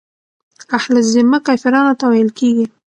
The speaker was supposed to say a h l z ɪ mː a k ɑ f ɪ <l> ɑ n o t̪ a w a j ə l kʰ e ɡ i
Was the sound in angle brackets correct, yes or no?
no